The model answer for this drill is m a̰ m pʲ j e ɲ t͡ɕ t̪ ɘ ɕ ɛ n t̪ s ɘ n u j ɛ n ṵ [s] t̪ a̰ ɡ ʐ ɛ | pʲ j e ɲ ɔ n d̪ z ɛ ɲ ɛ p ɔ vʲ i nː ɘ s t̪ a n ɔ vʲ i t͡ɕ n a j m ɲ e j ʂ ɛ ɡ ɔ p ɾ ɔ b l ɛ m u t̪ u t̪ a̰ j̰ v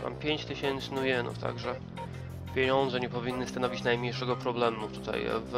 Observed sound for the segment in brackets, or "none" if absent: f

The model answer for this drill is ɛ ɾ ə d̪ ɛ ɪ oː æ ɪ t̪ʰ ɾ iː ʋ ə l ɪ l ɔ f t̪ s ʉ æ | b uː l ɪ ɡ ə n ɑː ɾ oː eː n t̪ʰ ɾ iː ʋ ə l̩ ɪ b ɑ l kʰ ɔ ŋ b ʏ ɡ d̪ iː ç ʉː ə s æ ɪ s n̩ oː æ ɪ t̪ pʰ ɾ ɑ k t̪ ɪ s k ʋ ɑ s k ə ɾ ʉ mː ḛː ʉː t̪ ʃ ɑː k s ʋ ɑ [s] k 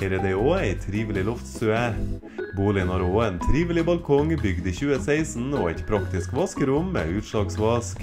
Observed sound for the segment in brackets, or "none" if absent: s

